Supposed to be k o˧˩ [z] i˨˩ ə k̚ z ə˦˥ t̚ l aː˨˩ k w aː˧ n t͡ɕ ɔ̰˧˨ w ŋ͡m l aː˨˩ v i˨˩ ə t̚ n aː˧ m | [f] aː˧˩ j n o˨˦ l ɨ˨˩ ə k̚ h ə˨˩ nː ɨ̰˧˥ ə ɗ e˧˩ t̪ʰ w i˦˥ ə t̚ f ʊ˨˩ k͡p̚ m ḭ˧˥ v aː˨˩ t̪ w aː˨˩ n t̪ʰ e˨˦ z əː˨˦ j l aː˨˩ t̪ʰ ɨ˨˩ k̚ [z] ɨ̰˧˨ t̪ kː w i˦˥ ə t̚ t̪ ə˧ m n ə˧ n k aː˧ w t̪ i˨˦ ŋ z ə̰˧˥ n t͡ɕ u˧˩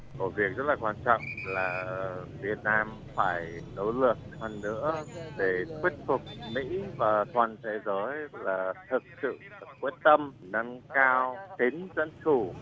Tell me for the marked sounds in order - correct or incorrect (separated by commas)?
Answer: incorrect, correct, incorrect